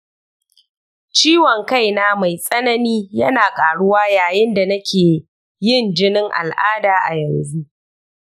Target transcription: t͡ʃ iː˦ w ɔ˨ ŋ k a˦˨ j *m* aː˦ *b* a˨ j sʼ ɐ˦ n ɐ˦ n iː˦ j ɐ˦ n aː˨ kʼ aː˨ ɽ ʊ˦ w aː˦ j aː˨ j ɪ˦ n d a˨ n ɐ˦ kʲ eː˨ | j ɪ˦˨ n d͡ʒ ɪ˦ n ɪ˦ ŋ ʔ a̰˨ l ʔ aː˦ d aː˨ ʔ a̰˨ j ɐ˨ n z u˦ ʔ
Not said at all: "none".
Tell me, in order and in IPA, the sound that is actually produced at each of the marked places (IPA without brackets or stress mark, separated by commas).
n, m